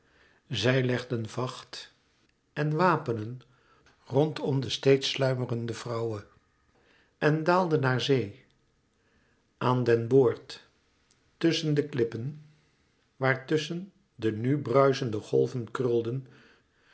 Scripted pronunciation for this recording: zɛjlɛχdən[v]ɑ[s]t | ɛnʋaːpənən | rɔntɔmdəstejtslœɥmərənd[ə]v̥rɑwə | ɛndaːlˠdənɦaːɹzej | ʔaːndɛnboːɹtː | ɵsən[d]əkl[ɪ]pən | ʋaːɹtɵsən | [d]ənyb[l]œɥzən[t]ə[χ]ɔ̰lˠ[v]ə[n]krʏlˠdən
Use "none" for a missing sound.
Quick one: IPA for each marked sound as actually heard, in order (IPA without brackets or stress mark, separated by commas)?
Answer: v, χ, ə, d, ɪ, d, r, d, χ, v, n